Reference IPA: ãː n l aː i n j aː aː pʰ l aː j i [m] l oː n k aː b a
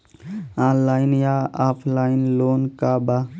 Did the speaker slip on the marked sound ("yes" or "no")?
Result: yes